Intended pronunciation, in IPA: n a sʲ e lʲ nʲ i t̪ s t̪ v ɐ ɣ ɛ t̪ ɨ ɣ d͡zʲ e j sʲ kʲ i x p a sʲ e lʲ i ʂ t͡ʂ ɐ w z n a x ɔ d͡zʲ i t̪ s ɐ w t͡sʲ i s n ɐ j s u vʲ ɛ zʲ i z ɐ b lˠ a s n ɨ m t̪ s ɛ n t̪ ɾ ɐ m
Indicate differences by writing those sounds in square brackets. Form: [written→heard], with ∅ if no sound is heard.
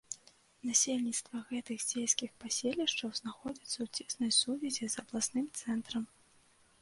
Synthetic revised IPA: n a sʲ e lʲ nʲ i t̪ s t̪ v ɐ ɣ ɛ t̪ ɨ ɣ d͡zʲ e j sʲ kʲ i x p a sʲ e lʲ i ʂ t͡ʂ ɐ w z n a x ɔ d͡zʲ i t̪ s ɐ w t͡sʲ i s n ɐ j s u vʲ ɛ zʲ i z ɐ b lˠ a s n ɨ m t̪ s ɛ n t̪ ɾ ɐ m